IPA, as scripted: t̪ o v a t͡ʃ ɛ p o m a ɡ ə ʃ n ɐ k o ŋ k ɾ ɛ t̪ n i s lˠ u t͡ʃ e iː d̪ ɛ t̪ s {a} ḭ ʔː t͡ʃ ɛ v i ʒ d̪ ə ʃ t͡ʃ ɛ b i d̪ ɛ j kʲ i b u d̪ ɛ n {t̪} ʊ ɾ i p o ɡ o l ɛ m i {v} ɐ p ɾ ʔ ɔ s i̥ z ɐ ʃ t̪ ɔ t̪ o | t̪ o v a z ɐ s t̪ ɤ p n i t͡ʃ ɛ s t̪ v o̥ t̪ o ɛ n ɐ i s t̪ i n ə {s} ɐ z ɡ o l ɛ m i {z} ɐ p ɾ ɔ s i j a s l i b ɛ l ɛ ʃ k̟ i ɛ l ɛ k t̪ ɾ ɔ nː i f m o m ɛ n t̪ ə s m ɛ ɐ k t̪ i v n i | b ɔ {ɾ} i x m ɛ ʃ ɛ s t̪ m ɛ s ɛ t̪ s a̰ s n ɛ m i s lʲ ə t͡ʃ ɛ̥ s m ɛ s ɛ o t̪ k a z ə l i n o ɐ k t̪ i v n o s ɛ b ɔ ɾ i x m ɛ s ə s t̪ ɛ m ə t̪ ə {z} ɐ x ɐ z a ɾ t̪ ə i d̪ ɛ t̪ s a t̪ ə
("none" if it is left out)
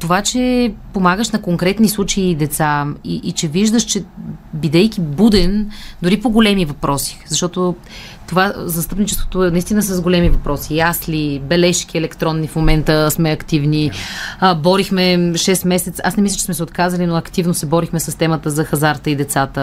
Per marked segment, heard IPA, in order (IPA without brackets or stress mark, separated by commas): a, d̪, v, s, v, ɾ, z